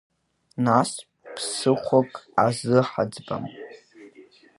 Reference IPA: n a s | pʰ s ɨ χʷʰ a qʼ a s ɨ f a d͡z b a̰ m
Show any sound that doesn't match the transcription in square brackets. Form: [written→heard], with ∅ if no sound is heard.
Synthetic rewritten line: n a s | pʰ s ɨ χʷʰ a [qʼ→kʼ] a [s→z] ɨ [f→ħ] a d͡z b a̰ m